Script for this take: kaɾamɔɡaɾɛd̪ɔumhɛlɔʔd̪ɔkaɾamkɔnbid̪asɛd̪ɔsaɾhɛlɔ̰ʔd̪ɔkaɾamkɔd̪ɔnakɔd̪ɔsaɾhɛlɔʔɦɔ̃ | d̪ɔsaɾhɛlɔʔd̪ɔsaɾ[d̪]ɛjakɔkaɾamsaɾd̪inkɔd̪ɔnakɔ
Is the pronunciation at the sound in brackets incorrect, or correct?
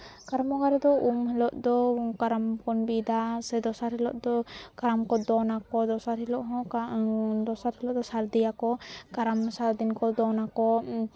correct